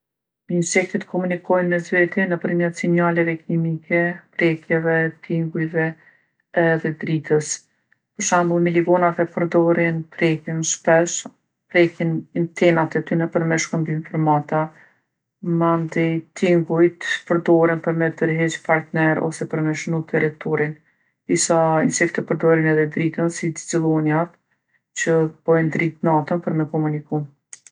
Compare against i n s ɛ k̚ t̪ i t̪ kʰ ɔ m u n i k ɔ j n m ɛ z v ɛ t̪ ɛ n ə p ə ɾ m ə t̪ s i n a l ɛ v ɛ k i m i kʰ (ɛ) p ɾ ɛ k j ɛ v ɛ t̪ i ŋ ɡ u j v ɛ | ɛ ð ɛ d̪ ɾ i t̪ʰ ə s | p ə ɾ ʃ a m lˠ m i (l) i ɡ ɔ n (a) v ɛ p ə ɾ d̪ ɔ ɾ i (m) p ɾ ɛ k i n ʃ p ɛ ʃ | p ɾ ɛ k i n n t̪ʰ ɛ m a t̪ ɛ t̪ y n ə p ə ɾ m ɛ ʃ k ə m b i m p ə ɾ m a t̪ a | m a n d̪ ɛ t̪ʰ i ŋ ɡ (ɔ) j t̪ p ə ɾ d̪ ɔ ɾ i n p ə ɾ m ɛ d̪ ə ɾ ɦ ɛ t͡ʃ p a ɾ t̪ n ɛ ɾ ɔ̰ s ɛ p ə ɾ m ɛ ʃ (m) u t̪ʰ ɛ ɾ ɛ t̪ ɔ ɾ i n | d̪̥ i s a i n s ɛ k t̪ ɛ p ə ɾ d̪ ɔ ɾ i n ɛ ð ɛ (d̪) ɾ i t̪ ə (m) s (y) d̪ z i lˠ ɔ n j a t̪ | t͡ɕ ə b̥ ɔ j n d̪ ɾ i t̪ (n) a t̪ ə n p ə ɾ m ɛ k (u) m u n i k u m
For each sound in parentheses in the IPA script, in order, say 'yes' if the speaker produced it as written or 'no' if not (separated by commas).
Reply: yes, yes, yes, no, no, no, yes, no, no, yes, no